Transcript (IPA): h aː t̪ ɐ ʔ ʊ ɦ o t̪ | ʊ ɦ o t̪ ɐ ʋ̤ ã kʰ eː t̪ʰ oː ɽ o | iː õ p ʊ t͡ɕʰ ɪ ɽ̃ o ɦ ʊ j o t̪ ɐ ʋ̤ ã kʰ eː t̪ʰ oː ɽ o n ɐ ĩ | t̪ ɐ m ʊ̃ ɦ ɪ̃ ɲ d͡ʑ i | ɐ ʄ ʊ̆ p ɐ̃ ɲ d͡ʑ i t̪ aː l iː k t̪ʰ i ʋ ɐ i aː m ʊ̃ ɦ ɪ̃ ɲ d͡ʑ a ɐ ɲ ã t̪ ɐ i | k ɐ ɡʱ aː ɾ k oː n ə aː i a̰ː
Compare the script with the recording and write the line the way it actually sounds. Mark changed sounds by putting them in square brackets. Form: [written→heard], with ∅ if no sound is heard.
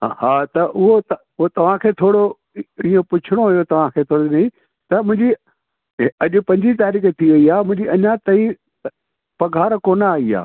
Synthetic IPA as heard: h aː t̪ ɐ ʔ ʊ ɦ o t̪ | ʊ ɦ o t̪ ɐ ʋ̤ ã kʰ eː t̪ʰ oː ɽ o | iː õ p ʊ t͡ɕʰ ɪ ɽ̃ o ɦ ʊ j o t̪ ɐ ʋ̤ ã kʰ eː t̪ʰ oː ɽ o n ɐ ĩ | t̪ ɐ m ʊ̃ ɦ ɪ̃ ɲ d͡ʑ i | ɐ ʄ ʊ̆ p ɐ̃ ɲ d͡ʑ i t̪ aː [l→ɾ] iː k t̪ʰ i ʋ ɐ i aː m ʊ̃ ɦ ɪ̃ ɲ d͡ʑ [a→i] ɐ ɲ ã t̪ ɐ i | [k→p] ɐ ɡʱ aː ɾ k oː n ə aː i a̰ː

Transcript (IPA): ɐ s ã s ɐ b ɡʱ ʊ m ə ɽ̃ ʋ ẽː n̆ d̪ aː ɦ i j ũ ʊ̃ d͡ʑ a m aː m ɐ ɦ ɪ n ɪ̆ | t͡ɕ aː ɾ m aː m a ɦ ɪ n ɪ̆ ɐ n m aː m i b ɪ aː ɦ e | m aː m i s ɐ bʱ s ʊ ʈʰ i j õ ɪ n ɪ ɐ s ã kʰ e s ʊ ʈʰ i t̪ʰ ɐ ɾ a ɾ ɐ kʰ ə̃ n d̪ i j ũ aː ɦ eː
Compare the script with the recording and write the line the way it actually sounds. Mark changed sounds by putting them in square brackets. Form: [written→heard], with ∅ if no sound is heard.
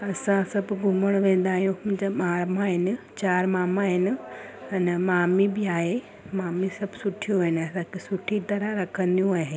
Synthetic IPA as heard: ɐ s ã s ɐ b ɡʱ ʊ m ə ɽ̃ ʋ ẽː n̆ d̪ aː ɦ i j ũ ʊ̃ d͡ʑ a m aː m [ɐ→a] ɦ ɪ n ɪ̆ | t͡ɕ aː ɾ m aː m a ɦ ɪ n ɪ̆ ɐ n m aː m i b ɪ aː ɦ e | m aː m i s ɐ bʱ s ʊ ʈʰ i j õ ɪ n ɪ ɐ s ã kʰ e s ʊ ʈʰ i [t̪ʰ→t̪] ɐ ɾ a ɾ ɐ kʰ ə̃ n d̪ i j ũ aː ɦ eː

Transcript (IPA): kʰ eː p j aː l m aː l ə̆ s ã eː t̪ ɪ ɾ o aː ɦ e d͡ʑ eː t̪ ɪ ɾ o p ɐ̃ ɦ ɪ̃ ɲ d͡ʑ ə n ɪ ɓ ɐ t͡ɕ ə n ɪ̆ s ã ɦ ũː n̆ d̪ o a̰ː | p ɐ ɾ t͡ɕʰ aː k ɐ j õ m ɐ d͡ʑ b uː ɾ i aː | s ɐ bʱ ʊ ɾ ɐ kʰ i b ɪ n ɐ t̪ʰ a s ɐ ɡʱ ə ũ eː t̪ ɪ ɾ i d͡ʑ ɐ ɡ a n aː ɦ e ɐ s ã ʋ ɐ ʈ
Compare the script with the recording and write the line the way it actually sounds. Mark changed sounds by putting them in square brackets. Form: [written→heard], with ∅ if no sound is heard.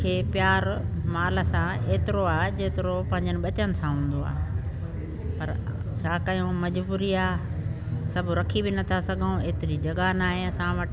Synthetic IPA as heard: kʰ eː p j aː [l→ɾ] m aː l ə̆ s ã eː t̪ ɪ ɾ o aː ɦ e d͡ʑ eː t̪ ɪ ɾ o p ɐ̃ ɦ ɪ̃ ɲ d͡ʑ ə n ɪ ɓ ɐ t͡ɕ ə n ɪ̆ s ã ɦ ũː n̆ d̪ o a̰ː | p ɐ ɾ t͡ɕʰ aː k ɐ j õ m ɐ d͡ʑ b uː ɾ i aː | s ɐ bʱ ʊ ɾ ɐ kʰ i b ɪ n ɐ t̪ʰ a s ɐ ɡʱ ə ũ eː t̪ ɪ ɾ i d͡ʑ ɐ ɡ a n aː ɦ e ɐ s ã ʋ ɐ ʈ

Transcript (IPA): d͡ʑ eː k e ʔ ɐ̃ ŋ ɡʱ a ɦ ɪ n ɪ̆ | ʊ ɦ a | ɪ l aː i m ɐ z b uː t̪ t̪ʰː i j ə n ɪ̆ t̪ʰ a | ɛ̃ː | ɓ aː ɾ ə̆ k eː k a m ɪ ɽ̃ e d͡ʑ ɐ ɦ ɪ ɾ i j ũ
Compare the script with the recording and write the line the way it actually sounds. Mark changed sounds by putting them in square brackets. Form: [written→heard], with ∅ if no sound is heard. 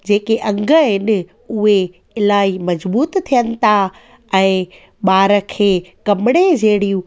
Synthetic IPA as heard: d͡ʑ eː k e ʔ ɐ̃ ŋ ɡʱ [a→ə] ɦ ɪ n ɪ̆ | ʊ ɦ [a→e] | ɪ l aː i m ɐ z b uː t̪ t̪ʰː i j ə n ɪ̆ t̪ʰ a | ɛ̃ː | ɓ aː ɾ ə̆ [k→kʰ] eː k [a→ɐ] m ɪ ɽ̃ e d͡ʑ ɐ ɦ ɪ [ɾ→ɽ] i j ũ

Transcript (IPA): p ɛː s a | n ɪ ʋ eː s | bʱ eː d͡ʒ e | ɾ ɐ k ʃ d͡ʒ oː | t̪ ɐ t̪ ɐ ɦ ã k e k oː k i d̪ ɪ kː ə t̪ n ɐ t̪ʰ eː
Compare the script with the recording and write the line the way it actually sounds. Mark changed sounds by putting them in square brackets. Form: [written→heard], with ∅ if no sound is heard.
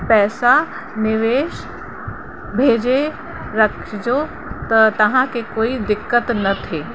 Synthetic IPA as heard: p ɛː s a | n ɪ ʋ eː [s→ʃ] | bʱ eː d͡ʒ e | ɾ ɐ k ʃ d͡ʒ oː | t̪ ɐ t̪ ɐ ɦ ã k e k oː [k→∅] i d̪ ɪ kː ə t̪ n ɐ t̪ʰ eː

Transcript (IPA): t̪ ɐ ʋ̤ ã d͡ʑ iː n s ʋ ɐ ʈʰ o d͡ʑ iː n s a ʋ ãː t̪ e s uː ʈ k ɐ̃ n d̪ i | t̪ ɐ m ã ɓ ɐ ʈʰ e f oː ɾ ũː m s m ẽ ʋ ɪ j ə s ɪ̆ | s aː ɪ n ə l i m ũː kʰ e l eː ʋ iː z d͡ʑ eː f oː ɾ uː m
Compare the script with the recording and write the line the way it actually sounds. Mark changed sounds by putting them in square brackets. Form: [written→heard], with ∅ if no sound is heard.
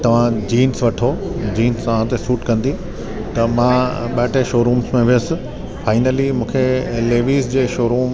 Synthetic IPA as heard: t̪ ɐ ʋ̤ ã d͡ʑ iː n s ʋ ɐ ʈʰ o d͡ʑ iː n s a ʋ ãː t̪ e s uː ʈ k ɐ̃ n d̪ i | t̪ ɐ m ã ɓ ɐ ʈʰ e [f→ʃ] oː ɾ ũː m s m ẽ ʋ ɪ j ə s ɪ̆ | [s→f] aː ɪ n ə l i m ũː kʰ e l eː ʋ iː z d͡ʑ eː [f→ʃ] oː ɾ uː m

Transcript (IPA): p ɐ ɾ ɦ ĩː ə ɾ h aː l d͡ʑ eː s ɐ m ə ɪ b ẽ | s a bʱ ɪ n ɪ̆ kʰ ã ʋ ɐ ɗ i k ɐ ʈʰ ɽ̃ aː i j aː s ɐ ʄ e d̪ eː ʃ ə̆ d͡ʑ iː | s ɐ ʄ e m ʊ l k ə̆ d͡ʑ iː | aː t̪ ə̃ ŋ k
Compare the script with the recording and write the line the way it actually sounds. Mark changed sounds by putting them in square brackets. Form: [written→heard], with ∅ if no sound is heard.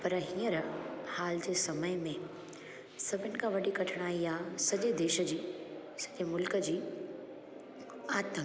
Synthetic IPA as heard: p ɐ ɾ ɦ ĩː ə ɾ h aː l d͡ʑ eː s ɐ m ə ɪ [b→m] ẽ | s [a→ɐ] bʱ ɪ n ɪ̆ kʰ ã ʋ ɐ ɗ i k ɐ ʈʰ ɽ̃ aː i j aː s ɐ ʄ e d̪ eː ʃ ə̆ d͡ʑ iː | s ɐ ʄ e m ʊ l k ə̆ d͡ʑ iː | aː t̪ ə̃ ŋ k

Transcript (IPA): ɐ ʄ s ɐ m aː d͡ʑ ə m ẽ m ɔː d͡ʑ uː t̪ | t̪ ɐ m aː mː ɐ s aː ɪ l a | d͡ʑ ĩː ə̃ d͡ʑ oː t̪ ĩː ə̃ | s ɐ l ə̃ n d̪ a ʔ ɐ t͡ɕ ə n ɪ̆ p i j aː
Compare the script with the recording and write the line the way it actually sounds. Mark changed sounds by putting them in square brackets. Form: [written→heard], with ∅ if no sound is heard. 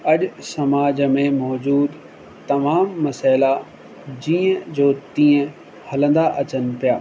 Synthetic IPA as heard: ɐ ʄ s ɐ m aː d͡ʑ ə m ẽ m ɔː d͡ʑ uː [t̪→d̪] | t̪ ɐ m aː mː ɐ s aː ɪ l a | d͡ʑ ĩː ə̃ d͡ʑ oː t̪ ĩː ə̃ | [s→h] ɐ l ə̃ n d̪ a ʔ ɐ t͡ɕ ə n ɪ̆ p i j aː

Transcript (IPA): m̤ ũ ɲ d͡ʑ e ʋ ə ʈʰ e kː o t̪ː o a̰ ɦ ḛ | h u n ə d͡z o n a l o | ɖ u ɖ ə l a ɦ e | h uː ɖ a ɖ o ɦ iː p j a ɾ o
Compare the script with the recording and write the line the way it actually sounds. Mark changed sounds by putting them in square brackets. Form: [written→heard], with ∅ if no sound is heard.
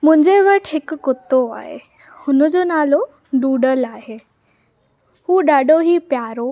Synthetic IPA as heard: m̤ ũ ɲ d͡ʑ e ʋ ə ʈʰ e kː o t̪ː o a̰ ɦ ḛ | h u n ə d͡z o n a l o | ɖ u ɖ ə l a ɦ e | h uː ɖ a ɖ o ɦ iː p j a ɾ o

